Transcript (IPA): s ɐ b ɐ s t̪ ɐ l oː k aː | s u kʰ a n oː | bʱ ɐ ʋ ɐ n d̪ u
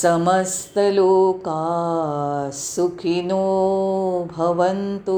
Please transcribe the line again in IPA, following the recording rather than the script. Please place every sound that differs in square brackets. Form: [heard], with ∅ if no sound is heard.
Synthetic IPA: s ɐ [m] ɐ s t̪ ɐ l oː k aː | s u kʰ [i] n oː | bʱ ɐ ʋ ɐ n [t̪] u